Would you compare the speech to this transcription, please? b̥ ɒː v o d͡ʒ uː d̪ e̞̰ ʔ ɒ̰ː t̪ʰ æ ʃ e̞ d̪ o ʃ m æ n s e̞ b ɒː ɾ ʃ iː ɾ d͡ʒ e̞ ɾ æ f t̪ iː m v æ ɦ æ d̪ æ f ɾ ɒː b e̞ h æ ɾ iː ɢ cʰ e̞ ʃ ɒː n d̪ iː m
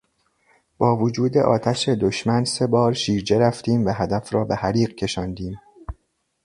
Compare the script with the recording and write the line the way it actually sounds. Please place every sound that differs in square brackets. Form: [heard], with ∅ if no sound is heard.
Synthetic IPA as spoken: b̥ ɒː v o d͡ʒ uː d̪ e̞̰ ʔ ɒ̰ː t̪ʰ æ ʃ e̞ d̪ o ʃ m æ n s e̞ b ɒː ɾ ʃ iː ɾ d͡ʒ e̞ ɾ æ f t̪ iː m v æ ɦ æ d̪ æ f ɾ ɒː b e̞ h æ ɾ iː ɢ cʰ e̞ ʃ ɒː n d̪ iː m

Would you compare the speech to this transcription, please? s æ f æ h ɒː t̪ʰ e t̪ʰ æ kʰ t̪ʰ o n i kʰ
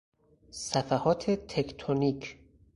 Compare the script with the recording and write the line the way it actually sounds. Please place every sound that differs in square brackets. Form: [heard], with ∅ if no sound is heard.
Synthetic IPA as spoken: s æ f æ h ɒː t̪ʰ e t̪ʰ [e] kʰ t̪ʰ o n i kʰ

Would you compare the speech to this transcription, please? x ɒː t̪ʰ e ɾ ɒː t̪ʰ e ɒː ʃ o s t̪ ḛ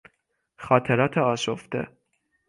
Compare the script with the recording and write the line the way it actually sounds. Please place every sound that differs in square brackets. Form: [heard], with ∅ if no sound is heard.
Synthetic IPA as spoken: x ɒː t̪ʰ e ɾ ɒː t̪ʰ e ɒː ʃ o [f] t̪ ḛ

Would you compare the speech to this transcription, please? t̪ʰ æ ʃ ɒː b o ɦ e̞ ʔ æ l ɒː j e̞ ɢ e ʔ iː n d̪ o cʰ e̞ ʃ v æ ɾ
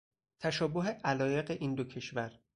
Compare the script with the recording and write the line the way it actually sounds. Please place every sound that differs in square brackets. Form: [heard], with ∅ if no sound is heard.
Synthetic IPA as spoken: t̪ʰ æ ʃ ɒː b o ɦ e̞ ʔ æ l ɒː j e̞ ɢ e ʔ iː n d̪ o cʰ e̞ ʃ v æ ɾ

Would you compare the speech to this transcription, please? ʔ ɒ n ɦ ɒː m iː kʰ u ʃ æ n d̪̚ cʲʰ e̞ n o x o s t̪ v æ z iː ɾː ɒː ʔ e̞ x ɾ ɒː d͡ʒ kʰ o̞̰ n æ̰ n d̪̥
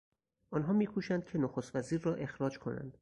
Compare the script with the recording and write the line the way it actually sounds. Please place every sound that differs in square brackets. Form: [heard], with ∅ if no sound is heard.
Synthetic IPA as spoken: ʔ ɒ n ɦ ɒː m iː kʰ u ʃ æ n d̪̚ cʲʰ e̞ n o x o s t̪ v æ z iː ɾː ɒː ʔ e̞ x ɾ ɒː d͡ʒ kʰ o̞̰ n æ̰ n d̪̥

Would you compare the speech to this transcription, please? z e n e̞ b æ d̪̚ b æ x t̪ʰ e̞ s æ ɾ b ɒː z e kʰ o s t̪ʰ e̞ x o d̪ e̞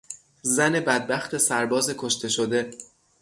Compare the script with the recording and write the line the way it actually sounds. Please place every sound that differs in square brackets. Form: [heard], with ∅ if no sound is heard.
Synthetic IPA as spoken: z [æ] n e̞ b æ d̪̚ b æ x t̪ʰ e̞ s æ ɾ b ɒː z e kʰ o [ʃ] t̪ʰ e̞ [ʃ] o d̪ e̞

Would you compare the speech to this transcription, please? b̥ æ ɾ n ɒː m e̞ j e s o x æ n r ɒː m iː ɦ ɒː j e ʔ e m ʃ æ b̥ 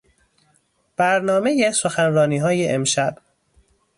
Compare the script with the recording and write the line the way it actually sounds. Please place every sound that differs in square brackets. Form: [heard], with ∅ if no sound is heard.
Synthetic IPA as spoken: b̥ æ ɾ n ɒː m e̞ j e s o x æ n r ɒː [n] iː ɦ ɒː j e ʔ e m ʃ æ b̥

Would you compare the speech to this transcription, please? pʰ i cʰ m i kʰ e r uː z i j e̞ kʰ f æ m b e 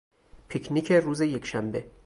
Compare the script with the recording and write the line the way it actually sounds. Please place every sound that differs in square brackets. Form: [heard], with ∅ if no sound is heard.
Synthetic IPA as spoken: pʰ i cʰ [n] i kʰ e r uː z [e] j e̞ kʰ [ʃ] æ m b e

